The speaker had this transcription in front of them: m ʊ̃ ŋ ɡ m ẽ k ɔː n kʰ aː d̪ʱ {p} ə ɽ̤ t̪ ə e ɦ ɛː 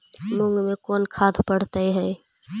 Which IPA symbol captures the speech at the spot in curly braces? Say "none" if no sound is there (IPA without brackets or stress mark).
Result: p